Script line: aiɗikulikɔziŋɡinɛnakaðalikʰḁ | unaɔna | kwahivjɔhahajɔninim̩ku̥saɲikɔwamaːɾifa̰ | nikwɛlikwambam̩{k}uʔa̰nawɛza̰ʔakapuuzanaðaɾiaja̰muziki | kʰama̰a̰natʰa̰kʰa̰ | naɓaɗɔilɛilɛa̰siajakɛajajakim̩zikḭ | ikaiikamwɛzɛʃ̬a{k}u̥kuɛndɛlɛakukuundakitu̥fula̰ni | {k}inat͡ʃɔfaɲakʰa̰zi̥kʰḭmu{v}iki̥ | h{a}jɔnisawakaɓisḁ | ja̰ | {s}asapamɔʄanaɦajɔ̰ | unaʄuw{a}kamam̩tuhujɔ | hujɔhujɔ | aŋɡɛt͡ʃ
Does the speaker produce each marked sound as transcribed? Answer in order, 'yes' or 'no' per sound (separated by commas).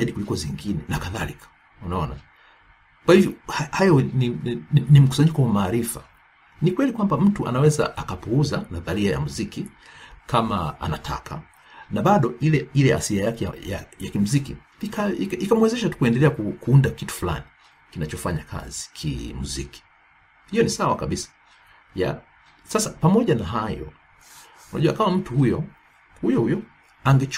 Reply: no, no, yes, no, no, yes, yes